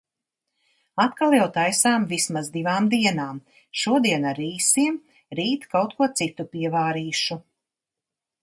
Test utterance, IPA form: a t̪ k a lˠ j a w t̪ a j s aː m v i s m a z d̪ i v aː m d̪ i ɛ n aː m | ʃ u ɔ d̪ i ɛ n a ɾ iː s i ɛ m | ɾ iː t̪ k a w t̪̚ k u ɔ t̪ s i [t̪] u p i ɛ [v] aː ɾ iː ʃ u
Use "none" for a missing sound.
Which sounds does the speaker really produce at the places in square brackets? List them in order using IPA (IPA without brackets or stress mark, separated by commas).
t̪, v